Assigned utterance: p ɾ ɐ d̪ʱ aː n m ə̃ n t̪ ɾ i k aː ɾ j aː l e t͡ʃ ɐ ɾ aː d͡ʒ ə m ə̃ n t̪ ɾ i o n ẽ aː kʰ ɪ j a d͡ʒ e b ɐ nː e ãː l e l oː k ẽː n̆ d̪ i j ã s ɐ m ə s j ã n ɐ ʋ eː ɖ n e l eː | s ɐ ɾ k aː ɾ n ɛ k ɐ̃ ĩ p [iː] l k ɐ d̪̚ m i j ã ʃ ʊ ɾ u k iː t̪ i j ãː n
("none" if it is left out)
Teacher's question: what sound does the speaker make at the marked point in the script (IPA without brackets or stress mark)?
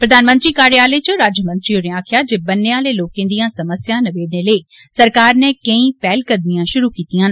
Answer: ɛː